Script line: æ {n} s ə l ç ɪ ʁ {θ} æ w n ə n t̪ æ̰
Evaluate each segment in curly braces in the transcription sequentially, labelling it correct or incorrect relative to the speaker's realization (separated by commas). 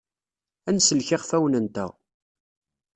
correct, incorrect